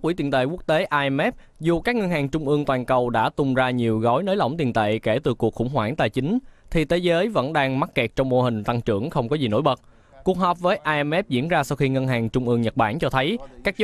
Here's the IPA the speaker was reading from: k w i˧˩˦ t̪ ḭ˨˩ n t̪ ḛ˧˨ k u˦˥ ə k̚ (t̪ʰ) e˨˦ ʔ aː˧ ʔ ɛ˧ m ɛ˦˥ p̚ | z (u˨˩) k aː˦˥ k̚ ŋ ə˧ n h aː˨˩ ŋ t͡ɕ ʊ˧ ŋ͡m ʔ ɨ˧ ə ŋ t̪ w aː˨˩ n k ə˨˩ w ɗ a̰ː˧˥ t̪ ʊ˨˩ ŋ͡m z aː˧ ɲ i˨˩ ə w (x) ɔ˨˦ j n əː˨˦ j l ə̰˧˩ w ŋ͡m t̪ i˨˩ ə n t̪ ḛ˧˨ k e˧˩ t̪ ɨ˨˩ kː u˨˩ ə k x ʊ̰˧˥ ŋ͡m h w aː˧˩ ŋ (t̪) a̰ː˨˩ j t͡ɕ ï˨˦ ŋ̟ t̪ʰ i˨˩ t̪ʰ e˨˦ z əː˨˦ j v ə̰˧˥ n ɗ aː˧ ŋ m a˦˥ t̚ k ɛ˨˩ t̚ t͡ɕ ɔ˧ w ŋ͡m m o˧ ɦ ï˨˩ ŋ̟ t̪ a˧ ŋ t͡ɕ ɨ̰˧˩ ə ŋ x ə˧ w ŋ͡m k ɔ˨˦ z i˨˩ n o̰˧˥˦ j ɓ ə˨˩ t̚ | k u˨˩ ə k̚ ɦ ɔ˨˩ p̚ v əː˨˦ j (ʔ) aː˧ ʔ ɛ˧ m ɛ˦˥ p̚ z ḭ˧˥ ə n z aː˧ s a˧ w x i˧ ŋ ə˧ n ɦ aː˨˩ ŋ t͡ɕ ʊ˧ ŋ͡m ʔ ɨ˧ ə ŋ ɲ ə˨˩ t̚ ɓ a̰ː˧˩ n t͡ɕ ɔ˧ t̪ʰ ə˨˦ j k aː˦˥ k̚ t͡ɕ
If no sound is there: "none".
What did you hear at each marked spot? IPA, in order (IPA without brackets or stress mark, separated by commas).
t̪, u˨˩, ɣ, t̪, ʔ